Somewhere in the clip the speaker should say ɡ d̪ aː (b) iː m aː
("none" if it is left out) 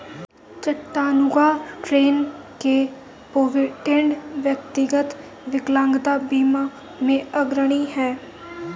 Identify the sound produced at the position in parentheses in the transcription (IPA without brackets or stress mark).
b